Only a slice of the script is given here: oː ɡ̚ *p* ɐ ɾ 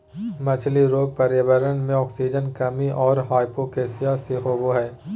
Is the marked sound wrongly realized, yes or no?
no